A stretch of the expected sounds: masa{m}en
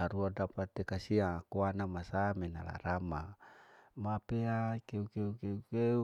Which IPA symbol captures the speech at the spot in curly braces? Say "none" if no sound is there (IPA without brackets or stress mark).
m